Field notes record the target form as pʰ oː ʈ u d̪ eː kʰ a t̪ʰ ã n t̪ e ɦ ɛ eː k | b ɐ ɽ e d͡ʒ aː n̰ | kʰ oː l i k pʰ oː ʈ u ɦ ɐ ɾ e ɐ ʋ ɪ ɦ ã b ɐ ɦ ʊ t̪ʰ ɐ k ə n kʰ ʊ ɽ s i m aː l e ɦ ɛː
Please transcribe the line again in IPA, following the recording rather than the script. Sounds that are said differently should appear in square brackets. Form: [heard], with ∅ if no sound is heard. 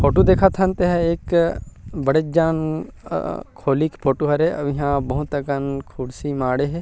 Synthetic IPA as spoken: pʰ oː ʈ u d̪ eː kʰ a t̪ʰ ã n t̪ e ɦ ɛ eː k | b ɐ ɽ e d͡ʒ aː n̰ | kʰ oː l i k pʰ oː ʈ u ɦ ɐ ɾ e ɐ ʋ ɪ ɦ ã b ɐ ɦ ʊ [t̪] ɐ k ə n kʰ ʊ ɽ s i m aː [ɽ] e ɦ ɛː